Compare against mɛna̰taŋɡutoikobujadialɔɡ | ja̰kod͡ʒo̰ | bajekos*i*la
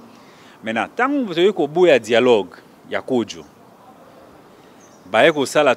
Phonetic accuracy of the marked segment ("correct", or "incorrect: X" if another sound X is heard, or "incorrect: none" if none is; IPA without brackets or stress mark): incorrect: a